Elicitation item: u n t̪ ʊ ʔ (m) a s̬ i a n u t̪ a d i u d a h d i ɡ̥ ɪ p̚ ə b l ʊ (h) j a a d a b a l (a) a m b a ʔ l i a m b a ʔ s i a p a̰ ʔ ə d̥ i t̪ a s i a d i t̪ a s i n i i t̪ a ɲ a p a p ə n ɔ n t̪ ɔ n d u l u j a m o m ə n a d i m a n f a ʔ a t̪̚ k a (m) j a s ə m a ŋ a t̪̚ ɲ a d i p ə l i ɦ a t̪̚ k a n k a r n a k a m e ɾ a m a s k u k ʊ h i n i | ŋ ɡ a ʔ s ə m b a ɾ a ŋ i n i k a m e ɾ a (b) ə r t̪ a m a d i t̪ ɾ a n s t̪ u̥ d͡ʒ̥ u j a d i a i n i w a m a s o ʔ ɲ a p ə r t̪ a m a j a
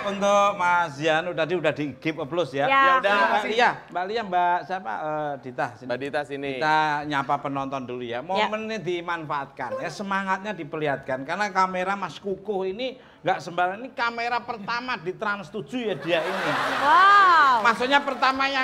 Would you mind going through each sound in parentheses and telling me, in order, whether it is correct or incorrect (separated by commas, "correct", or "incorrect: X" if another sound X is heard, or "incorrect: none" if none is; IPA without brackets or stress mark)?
correct, incorrect: s, incorrect: i, incorrect: n, incorrect: p